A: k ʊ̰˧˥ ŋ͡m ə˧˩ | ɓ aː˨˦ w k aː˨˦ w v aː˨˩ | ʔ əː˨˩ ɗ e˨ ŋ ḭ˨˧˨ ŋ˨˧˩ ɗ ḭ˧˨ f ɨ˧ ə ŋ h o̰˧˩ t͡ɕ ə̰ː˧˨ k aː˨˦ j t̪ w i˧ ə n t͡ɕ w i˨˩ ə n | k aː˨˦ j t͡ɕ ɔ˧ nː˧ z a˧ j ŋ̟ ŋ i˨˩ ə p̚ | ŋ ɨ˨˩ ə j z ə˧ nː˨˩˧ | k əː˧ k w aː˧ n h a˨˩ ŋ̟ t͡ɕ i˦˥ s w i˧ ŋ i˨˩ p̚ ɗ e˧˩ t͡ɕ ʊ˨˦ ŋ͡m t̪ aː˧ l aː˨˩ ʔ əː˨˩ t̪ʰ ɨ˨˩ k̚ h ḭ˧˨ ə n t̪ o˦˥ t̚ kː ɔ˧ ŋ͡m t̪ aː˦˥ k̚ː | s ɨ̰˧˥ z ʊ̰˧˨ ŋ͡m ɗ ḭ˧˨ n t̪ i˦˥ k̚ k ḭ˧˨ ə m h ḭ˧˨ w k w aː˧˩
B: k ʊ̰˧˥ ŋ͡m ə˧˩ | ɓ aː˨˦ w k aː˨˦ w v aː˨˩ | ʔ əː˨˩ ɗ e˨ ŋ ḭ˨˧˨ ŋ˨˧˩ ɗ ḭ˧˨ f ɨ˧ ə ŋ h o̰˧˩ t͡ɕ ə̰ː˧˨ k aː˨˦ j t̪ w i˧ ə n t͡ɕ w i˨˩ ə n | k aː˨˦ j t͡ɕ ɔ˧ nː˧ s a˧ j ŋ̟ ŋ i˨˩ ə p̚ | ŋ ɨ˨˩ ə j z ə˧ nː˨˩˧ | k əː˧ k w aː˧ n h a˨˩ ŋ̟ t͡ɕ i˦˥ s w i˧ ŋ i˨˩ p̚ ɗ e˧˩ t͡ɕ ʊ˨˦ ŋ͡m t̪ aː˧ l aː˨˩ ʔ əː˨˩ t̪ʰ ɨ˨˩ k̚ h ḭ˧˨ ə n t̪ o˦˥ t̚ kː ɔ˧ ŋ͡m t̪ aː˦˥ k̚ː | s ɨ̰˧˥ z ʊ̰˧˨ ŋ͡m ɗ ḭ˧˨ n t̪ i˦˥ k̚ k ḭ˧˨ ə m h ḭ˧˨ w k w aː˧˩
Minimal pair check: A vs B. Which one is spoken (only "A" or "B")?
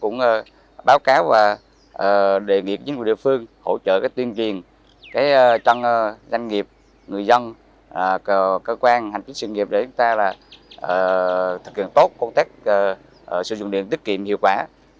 A